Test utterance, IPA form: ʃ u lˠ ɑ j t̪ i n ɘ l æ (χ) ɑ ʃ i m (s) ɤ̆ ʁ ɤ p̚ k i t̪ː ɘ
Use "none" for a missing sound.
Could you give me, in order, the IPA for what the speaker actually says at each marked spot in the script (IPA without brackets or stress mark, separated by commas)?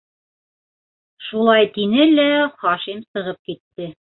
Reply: χ, s